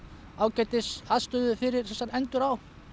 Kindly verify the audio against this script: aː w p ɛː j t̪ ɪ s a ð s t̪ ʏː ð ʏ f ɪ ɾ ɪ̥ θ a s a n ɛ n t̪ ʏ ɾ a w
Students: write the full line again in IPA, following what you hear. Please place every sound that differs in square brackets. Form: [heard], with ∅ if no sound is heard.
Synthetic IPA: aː w [c] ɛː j t̪ ɪ s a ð s t̪ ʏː ð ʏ f ɪ ɾ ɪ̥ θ [ɛ] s a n ɛ n t̪ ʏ ɾ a w